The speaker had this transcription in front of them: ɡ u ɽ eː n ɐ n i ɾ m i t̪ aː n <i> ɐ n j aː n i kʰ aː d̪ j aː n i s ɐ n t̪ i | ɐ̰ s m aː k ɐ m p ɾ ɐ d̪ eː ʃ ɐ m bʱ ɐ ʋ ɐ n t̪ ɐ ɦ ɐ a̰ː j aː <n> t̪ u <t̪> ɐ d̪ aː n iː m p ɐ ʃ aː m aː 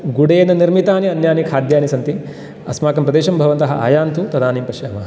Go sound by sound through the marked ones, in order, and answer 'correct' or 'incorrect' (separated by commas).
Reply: correct, correct, correct